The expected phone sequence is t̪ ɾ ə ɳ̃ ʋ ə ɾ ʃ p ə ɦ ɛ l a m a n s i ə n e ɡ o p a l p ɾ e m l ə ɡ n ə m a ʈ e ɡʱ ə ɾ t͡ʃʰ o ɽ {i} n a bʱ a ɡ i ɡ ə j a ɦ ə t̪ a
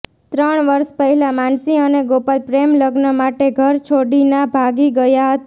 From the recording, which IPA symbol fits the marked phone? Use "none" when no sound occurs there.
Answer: i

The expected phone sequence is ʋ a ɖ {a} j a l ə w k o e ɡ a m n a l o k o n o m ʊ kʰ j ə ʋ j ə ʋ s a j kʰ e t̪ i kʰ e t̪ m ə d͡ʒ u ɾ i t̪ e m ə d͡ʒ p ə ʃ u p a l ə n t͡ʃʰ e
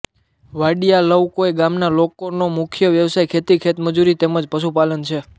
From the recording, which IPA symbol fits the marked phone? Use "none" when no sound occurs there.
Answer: i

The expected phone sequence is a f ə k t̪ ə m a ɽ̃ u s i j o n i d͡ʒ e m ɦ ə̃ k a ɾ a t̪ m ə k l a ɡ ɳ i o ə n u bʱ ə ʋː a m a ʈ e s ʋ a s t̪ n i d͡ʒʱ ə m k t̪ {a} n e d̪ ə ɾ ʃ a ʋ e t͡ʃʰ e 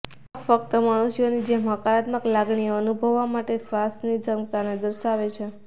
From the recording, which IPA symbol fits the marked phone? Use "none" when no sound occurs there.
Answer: a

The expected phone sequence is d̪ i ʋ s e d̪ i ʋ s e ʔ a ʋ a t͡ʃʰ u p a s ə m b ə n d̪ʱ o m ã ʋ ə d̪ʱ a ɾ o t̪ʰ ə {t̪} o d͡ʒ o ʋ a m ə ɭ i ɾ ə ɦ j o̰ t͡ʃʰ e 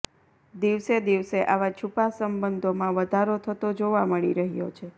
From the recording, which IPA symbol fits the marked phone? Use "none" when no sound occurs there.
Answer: t̪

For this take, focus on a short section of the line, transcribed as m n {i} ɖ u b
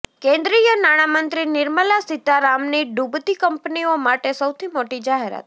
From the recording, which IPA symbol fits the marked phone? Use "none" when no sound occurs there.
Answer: i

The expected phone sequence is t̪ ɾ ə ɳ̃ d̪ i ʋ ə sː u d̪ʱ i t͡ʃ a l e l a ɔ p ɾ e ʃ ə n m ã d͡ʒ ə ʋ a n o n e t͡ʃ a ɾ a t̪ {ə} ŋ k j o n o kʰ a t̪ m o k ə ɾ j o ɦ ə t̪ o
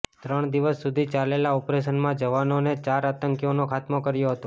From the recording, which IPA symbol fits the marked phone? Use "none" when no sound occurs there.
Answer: ə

